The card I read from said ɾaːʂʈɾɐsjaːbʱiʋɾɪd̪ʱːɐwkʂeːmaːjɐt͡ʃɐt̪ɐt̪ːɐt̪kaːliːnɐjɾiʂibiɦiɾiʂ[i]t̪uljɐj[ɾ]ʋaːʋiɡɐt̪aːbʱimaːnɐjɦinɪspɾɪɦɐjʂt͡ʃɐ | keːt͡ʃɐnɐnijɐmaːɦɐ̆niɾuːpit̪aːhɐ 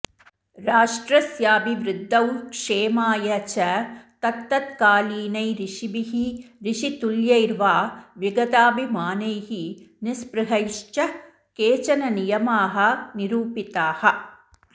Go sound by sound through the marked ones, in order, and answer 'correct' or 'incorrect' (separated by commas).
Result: correct, correct